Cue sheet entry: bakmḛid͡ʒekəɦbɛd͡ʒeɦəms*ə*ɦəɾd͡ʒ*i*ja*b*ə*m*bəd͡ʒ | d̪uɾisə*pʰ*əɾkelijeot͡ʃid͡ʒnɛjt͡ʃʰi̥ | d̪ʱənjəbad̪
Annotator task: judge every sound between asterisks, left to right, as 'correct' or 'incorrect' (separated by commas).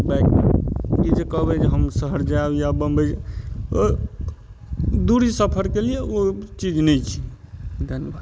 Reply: correct, incorrect, correct, correct, correct